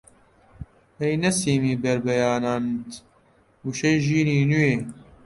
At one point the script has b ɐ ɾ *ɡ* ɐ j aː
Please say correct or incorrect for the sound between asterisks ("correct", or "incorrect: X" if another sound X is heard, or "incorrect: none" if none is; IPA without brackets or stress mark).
incorrect: b